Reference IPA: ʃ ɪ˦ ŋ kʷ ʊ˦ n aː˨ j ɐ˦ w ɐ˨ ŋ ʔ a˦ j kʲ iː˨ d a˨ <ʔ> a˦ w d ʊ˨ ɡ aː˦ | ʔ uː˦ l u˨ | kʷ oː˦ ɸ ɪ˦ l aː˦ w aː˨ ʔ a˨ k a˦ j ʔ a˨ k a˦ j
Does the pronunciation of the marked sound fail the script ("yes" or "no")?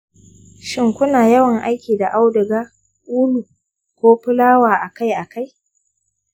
no